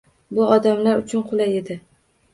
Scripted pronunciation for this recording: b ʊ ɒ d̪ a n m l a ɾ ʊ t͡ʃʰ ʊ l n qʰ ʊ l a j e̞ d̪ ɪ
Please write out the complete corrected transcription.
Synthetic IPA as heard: b ʊ ɒ d̪ a m l a ɾ ʊ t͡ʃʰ ʊ n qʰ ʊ l a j e̞ d̪ ɪ

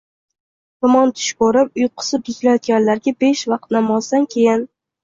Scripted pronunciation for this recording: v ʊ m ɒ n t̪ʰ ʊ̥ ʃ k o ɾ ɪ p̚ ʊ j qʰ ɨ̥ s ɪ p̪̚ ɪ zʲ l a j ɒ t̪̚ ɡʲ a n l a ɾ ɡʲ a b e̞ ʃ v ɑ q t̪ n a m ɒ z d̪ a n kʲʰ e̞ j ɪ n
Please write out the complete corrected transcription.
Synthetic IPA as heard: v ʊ m ɒ n t̪ʰ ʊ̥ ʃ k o ɾ ɪ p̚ ʊ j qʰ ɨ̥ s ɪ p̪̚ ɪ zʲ l a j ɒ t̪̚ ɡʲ a n l a ɾ ɡʲ a b e̞ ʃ v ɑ q t̪ n a m ɒ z d̪ a n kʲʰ e̞ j ɪ n

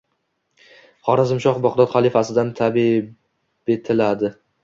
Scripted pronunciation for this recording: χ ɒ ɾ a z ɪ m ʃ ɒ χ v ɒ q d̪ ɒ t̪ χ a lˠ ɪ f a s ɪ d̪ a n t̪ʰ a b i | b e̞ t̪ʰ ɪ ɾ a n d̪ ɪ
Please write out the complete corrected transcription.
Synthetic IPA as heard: χ ɒ ɾ a z ɪ m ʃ ɒ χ b ɒ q d̪ ɒ t̪ χ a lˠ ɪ f a s ɪ d̪ a n t̪ʰ a b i | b e̞ t̪ʰ ɪ l a d̪ ɪ

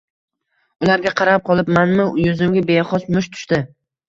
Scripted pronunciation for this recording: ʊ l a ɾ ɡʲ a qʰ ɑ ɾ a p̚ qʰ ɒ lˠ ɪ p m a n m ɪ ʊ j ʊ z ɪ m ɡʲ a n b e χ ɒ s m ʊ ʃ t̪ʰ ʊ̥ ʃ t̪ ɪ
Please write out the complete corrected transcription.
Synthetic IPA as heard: ʊ l a ɾ ɡʲ a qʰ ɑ ɾ a p̚ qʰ ɒ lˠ ɪ p m a n m ɪ ʊ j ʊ z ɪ m ɡʲ a b e χ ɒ s m ʊ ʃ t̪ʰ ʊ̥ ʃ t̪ ɪ

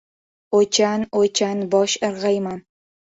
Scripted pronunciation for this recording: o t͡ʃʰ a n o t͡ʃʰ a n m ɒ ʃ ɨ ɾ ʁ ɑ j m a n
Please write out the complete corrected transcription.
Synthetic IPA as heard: o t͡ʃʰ a n o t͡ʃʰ a n b ɒ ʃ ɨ ɾ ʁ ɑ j m a n

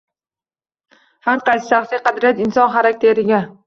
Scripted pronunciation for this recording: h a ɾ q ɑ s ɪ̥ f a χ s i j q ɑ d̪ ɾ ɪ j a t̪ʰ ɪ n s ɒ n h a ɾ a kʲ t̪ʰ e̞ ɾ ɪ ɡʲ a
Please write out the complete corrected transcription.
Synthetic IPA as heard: h a ɾ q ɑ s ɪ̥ ʃ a χ s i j q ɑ d̪ ɾ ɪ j a t̪ ɪ n s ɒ n χ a ɾ a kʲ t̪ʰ e̞ ɾ ɪ ɡʲ a

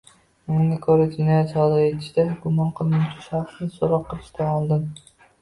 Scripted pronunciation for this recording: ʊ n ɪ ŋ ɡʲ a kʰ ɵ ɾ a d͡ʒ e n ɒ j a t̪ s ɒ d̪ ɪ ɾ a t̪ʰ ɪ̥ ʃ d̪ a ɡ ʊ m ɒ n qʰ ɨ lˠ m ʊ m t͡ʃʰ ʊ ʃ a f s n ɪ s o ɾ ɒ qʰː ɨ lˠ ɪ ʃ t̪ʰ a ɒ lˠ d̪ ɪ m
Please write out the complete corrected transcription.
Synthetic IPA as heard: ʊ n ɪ ŋ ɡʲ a kʰ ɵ ɾ a d͡ʒ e n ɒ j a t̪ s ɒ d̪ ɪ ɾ e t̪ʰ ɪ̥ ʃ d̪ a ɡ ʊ m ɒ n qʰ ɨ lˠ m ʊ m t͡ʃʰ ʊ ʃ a χ s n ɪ s o ɾ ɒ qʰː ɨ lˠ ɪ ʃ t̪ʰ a ɒ lˠ d̪ ɪ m

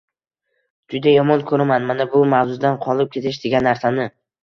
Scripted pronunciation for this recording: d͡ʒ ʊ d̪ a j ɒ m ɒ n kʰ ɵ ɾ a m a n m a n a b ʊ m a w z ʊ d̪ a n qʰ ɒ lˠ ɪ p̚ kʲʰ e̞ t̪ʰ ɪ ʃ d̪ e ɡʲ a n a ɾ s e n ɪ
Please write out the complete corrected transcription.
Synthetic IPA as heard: d͡ʒ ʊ d̪ a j ɒ m ɒ n kʰ ɵ ɾ a m a n m a n a b ʊ m a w z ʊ d̪ a n qʰ ɒ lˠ ɪ p̚ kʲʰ e̞ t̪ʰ ɪ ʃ d̪ e ɡʲ a nː a ɾ s a n ɪ

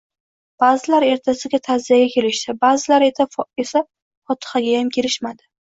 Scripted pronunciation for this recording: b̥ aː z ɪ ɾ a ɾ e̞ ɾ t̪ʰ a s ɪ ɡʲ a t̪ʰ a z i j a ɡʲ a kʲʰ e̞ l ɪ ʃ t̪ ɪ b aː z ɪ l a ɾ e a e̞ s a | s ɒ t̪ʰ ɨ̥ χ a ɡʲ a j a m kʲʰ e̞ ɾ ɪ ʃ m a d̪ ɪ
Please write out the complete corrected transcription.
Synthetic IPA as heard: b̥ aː z ɪ l a ɾ e̞ ɾ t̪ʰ a s ɪ ɡʲ a t̪ʰ a z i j a ɡʲ a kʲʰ e̞ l ɪ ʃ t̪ ɪ b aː z ɪ l a ɾ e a e̞ s a | f ɒ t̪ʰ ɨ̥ χ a ɡʲ a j a m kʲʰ e̞ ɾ ɪ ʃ m a d̪ ɪ

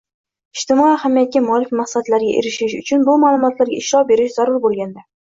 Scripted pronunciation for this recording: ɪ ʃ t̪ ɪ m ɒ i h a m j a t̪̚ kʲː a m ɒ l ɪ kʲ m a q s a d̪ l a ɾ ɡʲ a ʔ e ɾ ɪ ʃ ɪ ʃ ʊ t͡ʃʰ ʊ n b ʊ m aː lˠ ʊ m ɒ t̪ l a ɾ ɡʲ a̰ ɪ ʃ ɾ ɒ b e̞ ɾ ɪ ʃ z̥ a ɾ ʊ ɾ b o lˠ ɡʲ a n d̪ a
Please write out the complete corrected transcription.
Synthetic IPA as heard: ɪ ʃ t̪ ɪ m ɒ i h a m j a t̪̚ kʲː a m ɒ l ɪ kʲ m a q s a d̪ l a ɾ ɡʲ a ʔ e ɾ ɪ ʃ ɪ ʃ ʊ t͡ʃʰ ʊ n b ʊ m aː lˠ ʊ m ɒ t̪ l a ɾ ɡʲ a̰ ɪ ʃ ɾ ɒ b e̞ ɾ ɪ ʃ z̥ a ɾ ʊ ɾ b o lˠ ɡʲ a n d̪ a

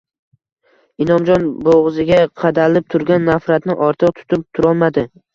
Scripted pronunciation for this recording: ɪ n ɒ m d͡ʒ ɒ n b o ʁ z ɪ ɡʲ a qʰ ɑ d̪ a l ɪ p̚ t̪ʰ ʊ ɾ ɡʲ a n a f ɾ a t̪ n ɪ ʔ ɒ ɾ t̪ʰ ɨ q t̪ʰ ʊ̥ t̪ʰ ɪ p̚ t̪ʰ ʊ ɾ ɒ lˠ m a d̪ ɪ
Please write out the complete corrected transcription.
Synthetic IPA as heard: ɪ n ɒ m d͡ʒ ɒ n b o ʁ z ɪ ɡʲ a qʰ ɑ d̪ a l ɪ p̚ t̪ʰ ʊ ɾ ɡʲ a nː a f ɾ a t̪ n ɪ ʔ ɒ ɾ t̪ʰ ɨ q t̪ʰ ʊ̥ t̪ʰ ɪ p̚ t̪ʰ ʊ ɾ ɒ lˠ m a d̪ ɪ

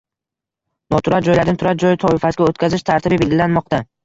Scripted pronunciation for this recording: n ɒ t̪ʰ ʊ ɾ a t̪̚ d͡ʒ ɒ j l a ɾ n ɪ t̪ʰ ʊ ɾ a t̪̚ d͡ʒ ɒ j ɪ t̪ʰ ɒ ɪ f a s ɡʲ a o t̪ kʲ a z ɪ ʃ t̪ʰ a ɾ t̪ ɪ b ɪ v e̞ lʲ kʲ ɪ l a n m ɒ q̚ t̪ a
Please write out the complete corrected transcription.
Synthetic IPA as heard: n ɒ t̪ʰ ʊ ɾ a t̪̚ d͡ʒ ɒ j l a ɾ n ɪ t̪ʰ ʊ ɾ a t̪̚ d͡ʒ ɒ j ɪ t̪ʰ ɒ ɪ f a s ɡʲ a o t̪ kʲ a z ɪ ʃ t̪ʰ a ɾ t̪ ɪ b ɪ b e̞ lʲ ɡʲ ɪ l a n m ɒ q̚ t̪ a

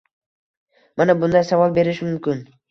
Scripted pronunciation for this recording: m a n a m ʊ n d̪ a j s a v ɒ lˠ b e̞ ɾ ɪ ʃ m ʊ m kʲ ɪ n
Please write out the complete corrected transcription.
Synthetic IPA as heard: m a n a b ʊ n d̪ a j s a v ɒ lˠ b e̞ ɾ ɪ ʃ m ʊ m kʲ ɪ n

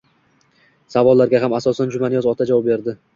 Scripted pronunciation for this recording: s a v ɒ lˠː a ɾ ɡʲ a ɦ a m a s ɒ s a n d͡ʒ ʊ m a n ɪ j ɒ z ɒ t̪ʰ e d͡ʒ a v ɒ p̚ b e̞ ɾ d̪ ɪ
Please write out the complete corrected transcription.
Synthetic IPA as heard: s a v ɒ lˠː a ɾ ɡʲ a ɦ a m a s ɒ s a n d͡ʒ ʊ m a n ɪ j ɒ z ɒ t̪ʰ a d͡ʒ a v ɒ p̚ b e̞ ɾ d̪ ɪ

